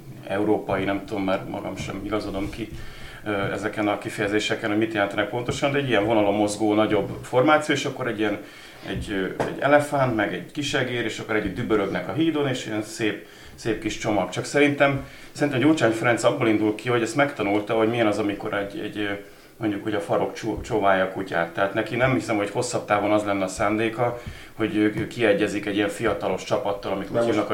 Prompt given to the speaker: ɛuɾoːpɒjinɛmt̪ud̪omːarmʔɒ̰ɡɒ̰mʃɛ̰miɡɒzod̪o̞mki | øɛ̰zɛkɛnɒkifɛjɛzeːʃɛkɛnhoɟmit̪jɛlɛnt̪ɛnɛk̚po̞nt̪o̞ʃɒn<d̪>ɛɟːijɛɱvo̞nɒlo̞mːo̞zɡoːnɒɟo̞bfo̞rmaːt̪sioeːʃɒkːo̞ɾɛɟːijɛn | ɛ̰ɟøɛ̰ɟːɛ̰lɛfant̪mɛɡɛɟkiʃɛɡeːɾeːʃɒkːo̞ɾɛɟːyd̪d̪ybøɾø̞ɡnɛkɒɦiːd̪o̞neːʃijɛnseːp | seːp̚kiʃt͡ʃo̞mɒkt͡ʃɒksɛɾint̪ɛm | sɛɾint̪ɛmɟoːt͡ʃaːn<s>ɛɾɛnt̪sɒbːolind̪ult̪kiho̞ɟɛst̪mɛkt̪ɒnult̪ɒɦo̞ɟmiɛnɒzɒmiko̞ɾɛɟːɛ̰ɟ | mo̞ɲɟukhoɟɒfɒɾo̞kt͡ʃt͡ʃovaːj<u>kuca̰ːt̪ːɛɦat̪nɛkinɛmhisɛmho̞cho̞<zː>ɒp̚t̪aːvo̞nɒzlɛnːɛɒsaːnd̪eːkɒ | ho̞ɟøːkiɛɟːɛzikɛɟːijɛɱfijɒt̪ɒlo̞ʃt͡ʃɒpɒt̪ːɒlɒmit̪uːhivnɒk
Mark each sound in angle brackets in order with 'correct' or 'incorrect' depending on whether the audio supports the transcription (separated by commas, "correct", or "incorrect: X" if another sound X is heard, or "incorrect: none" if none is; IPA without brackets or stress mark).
correct, incorrect: f, incorrect: ɒ, incorrect: sː